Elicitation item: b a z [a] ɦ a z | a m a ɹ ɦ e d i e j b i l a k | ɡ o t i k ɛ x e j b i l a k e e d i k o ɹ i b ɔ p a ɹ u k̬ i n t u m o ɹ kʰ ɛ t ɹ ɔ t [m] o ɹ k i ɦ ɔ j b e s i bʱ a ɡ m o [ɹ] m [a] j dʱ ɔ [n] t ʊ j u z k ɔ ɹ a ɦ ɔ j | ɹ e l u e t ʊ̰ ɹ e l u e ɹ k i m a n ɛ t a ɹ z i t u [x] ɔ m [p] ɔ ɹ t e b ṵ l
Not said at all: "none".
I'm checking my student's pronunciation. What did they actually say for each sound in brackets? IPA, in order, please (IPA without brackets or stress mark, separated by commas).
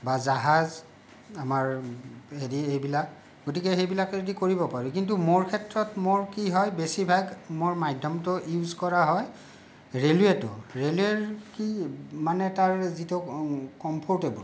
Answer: a, m, ɹ, a, m, k, pʰ